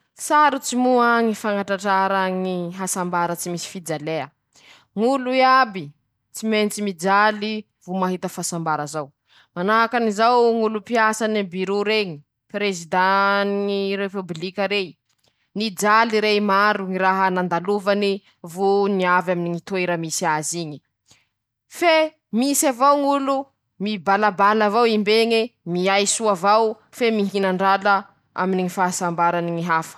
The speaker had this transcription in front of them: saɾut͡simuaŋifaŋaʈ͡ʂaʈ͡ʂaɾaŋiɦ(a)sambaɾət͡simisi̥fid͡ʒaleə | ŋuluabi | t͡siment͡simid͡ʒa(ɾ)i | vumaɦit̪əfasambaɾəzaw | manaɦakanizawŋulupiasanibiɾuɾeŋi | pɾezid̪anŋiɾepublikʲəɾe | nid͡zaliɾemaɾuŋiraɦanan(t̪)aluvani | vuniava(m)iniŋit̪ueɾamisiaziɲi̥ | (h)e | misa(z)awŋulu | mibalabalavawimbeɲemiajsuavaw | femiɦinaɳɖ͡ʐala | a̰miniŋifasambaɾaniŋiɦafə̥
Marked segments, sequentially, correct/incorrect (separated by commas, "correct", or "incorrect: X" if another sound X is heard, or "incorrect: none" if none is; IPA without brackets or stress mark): correct, incorrect: l, incorrect: d̪, correct, incorrect: f, incorrect: v